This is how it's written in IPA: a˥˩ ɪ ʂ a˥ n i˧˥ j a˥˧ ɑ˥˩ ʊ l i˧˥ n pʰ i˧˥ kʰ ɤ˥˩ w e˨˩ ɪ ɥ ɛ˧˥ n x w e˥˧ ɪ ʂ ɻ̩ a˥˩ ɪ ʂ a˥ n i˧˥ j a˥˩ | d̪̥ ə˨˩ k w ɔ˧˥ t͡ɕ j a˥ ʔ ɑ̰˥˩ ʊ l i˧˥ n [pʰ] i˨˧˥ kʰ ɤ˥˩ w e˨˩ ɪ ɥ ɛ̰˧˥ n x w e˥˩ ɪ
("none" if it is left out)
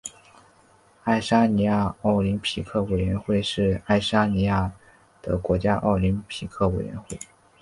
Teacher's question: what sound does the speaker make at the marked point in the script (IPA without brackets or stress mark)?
pʰ